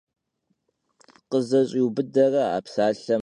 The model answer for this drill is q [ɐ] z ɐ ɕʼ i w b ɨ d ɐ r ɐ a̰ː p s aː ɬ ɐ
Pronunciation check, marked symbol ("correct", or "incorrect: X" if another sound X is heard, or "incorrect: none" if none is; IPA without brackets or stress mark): incorrect: ə